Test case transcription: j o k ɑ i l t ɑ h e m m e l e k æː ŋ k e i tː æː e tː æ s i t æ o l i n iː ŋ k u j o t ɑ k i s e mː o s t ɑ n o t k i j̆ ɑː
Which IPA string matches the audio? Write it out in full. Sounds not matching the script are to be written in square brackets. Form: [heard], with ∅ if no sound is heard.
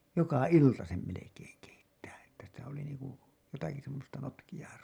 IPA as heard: j o k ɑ i l t ɑ [s] e m m e l e k [eː] ŋ k e i tː æː e tː æ s i t æ o l i n iː ŋ k u j o t ɑ k i s e mː o s t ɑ n o t k i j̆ ɑː